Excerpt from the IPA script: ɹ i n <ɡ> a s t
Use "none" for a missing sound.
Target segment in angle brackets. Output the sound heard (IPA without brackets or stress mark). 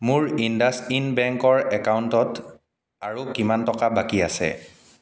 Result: d